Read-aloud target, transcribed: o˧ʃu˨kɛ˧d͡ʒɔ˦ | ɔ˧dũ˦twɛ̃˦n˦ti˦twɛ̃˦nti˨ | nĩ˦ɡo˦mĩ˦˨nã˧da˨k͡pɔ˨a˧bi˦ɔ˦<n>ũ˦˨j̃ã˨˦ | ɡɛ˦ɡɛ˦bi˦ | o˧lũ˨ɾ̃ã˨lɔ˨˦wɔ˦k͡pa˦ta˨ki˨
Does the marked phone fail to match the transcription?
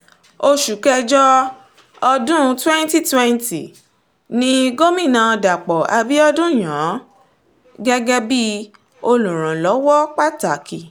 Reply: yes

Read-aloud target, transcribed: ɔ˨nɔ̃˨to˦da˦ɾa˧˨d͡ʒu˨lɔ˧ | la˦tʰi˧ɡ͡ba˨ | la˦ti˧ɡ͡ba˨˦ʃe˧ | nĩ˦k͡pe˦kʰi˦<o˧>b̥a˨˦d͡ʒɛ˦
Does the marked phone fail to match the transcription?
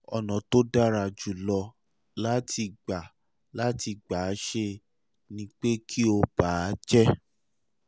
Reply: no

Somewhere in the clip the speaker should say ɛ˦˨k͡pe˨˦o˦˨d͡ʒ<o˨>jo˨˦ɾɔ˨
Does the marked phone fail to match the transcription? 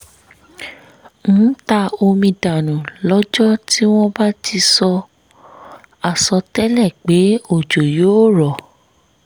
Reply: no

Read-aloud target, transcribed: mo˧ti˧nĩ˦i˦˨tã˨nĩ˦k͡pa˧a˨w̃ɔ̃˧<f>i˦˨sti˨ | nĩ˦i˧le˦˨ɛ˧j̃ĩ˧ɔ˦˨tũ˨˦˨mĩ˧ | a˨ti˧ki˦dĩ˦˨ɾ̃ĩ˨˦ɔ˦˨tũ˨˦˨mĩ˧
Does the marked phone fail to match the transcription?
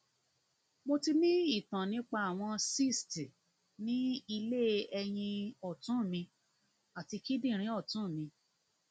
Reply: yes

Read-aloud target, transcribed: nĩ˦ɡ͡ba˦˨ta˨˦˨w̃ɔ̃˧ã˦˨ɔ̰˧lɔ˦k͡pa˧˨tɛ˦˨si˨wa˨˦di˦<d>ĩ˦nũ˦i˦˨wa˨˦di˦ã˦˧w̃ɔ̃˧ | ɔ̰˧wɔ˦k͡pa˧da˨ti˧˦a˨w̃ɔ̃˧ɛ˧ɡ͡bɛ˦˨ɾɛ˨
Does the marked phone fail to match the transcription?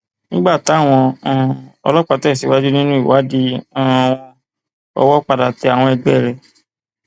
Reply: yes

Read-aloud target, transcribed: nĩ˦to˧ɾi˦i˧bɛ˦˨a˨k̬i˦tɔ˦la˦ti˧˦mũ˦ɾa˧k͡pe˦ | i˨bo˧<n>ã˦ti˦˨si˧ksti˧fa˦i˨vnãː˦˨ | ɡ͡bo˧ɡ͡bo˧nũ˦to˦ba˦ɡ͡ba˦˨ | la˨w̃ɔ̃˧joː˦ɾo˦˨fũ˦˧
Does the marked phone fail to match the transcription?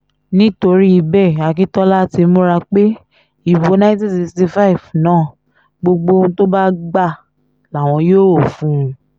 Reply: no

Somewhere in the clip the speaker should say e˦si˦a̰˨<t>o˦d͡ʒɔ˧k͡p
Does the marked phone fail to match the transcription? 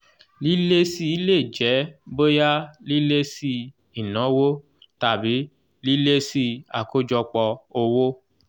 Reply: yes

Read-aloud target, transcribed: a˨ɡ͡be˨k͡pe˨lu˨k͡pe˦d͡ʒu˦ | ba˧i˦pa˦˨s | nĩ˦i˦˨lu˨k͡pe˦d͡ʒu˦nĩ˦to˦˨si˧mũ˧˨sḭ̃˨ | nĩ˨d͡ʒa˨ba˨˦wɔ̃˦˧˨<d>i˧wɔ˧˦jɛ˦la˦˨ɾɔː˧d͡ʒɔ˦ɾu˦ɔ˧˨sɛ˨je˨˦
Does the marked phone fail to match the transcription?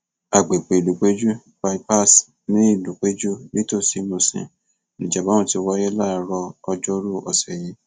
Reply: yes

